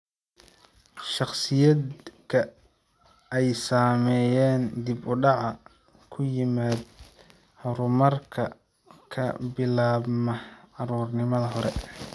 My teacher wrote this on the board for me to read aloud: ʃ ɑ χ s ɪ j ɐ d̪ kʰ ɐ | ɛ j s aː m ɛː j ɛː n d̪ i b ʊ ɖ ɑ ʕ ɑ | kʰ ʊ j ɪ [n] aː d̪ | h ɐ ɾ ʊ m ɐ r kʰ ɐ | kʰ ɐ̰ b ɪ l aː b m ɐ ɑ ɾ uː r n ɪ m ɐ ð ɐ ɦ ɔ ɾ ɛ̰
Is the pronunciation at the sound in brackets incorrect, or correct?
incorrect